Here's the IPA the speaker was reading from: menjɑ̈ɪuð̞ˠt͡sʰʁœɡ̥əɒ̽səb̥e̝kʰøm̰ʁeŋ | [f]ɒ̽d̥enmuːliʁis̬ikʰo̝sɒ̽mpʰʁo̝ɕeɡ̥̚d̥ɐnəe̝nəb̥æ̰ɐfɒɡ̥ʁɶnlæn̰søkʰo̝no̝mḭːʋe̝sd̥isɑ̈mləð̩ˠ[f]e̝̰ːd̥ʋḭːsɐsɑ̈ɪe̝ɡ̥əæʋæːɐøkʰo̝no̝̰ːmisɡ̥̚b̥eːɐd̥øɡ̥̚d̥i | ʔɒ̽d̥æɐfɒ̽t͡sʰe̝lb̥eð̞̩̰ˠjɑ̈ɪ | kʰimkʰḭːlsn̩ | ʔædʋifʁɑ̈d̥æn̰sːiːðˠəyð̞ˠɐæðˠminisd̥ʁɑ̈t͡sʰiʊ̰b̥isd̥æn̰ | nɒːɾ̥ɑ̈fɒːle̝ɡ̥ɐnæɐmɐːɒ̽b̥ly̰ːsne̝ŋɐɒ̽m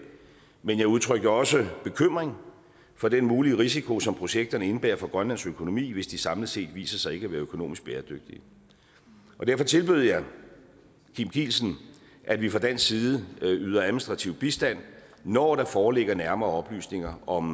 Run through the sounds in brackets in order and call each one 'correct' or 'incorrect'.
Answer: correct, incorrect

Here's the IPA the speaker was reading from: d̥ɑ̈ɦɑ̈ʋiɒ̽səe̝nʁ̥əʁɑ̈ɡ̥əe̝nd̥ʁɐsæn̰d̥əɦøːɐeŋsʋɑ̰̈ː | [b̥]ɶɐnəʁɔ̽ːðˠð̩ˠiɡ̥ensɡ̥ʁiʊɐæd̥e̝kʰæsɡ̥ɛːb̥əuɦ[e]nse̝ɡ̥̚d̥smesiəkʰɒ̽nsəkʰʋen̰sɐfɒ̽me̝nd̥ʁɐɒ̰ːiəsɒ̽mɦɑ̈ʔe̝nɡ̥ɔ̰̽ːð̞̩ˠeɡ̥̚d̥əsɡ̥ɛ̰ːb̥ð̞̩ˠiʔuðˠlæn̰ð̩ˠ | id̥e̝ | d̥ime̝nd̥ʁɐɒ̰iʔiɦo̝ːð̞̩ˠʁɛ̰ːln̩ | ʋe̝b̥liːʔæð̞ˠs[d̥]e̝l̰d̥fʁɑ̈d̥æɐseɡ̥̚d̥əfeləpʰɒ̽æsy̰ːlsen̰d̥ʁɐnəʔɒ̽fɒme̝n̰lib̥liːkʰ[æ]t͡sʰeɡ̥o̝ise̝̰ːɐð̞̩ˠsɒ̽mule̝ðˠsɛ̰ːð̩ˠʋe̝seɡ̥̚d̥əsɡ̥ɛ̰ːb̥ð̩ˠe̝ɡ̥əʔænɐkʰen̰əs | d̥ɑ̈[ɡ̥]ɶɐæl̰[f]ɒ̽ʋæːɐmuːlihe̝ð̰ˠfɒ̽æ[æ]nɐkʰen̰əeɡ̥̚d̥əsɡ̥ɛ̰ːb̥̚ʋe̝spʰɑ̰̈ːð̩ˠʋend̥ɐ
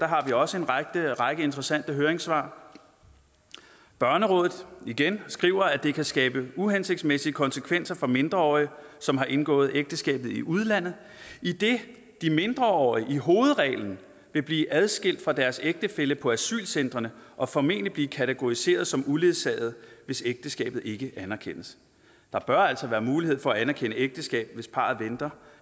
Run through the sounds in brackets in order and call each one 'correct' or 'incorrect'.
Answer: correct, correct, incorrect, correct, incorrect, incorrect, correct

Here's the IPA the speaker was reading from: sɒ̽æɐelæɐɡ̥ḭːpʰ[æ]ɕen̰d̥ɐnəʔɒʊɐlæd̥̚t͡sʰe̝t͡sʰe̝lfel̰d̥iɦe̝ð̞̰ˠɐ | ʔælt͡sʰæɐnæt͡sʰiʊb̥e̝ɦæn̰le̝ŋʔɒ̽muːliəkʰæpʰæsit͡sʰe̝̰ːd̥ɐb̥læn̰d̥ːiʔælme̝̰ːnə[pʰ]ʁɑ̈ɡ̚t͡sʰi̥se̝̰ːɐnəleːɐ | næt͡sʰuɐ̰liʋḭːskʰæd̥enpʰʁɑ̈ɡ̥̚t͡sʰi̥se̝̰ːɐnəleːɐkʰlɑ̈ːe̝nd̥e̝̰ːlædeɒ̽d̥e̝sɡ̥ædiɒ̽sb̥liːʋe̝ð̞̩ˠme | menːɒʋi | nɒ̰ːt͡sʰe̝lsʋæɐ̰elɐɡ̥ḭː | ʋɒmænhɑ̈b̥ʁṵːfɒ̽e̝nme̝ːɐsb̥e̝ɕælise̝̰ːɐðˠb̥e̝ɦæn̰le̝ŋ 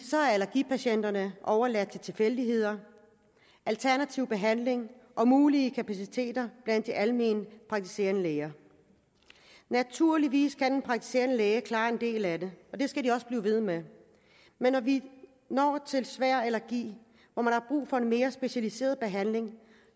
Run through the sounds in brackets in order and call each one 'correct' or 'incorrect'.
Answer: correct, correct

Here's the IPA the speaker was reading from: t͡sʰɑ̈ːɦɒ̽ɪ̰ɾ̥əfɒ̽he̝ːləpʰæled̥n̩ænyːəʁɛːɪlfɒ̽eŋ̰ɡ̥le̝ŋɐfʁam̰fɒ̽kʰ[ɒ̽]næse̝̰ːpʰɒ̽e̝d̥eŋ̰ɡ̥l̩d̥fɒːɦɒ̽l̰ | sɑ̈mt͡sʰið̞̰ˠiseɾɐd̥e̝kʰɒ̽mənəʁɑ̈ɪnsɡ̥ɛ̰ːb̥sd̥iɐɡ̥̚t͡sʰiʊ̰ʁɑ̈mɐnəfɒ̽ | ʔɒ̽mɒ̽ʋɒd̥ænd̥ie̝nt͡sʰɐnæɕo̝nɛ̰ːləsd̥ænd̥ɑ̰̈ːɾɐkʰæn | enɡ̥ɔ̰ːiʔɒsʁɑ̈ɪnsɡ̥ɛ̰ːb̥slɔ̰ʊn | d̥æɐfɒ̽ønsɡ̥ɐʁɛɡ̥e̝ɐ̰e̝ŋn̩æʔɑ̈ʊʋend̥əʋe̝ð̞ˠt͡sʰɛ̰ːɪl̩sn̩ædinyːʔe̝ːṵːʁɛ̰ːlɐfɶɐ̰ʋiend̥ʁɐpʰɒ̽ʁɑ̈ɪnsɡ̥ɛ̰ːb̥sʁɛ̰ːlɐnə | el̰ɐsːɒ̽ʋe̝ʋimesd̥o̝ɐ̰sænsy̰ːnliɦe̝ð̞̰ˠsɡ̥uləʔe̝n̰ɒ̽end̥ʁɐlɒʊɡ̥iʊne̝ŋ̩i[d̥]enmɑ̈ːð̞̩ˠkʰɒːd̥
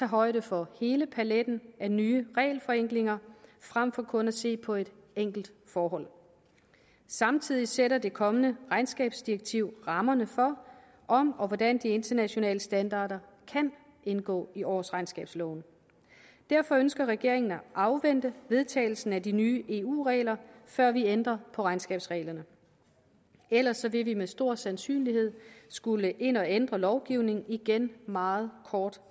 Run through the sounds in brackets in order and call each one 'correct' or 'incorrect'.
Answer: incorrect, incorrect

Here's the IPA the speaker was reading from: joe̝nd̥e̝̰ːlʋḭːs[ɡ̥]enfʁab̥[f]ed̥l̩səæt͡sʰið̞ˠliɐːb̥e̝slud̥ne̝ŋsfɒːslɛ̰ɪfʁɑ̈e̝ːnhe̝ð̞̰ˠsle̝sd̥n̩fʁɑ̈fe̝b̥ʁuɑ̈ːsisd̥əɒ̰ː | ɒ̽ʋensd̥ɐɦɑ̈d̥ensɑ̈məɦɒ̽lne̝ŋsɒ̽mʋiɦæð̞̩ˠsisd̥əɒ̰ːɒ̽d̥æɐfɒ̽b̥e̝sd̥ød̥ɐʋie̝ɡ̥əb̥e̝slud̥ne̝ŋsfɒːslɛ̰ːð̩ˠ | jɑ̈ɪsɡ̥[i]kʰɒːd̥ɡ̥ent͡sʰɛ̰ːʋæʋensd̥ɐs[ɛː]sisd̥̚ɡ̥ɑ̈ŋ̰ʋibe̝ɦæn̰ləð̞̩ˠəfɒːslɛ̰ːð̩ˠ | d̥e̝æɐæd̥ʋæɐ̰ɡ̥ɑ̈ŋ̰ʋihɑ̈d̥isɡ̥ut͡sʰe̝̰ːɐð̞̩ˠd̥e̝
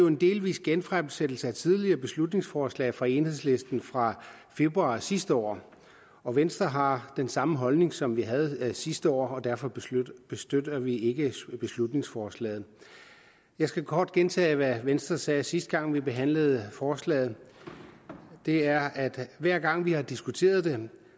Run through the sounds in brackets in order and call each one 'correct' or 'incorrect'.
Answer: correct, incorrect, incorrect, correct

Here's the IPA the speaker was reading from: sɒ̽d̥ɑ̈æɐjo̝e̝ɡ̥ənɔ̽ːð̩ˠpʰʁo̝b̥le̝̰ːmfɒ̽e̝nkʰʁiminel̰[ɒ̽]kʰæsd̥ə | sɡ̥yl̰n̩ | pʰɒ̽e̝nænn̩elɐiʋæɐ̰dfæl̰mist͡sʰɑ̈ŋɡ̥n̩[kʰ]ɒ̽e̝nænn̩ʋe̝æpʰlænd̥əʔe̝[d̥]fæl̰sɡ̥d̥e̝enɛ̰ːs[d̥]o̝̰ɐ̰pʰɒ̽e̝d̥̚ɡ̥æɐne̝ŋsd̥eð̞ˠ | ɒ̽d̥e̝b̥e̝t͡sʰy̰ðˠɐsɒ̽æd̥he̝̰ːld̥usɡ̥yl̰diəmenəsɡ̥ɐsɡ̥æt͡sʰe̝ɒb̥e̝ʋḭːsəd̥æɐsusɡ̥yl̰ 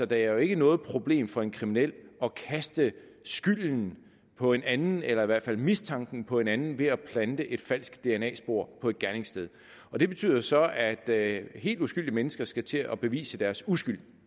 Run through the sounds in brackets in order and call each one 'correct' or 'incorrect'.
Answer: correct, incorrect, correct, incorrect

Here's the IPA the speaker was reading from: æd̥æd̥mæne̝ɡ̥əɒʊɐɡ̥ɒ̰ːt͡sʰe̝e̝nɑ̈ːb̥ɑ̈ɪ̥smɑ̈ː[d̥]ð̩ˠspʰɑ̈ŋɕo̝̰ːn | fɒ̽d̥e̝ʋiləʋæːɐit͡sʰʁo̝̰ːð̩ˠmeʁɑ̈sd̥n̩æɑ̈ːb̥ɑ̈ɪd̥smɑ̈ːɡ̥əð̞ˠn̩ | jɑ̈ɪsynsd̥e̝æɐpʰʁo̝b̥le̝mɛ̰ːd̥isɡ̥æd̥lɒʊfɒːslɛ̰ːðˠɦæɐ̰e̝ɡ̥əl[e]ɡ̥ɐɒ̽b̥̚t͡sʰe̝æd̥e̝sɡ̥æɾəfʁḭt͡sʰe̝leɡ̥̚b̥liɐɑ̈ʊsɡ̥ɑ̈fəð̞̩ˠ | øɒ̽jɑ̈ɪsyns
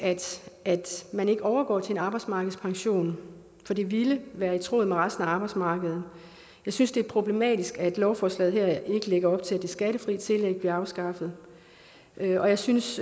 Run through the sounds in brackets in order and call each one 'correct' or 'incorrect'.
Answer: incorrect, correct

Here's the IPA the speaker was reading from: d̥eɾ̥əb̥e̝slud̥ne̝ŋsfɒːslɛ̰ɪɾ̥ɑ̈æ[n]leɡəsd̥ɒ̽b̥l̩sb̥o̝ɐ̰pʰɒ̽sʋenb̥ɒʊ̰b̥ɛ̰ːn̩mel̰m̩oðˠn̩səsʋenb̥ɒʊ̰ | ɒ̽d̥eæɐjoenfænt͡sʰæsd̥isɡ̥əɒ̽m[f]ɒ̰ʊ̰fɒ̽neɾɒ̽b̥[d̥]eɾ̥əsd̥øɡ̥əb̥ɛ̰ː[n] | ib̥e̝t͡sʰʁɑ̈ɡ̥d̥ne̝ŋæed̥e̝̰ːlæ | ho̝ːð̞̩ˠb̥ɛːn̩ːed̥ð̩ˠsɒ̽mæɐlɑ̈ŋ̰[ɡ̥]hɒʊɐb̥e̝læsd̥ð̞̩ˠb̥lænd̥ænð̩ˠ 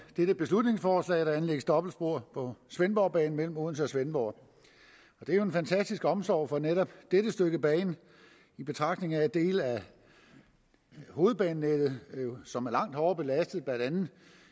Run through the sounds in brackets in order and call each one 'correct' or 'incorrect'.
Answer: correct, incorrect, correct, correct, incorrect

